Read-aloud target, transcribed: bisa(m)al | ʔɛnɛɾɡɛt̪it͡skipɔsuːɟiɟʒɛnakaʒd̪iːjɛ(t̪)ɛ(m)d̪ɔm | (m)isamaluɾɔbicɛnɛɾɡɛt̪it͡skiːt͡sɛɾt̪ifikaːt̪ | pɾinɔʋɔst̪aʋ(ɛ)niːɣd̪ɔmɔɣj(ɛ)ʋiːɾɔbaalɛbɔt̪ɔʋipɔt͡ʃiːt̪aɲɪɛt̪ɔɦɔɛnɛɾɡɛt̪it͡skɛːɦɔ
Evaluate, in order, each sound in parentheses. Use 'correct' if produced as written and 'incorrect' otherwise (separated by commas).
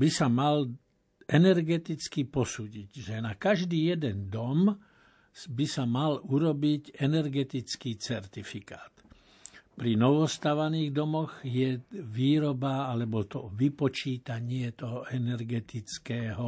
correct, incorrect, incorrect, incorrect, incorrect, correct